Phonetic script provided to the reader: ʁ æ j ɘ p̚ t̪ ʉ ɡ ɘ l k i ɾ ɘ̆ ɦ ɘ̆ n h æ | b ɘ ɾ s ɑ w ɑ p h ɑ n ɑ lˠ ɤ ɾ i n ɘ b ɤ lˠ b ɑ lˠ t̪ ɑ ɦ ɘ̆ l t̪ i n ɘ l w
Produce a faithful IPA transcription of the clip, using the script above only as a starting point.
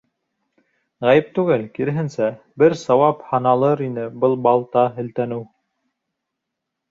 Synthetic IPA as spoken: ʁ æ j ɘ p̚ t̪ ʉ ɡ ɘ l k i ɾ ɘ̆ ɦ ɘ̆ n s æ | b ɘ ɾ s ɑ w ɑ p h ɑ n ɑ lˠ ɤ ɾ i n ɘ b ɤ lˠ b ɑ lˠ t̪ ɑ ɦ ɘ̆ l t̪ æ n ɘ w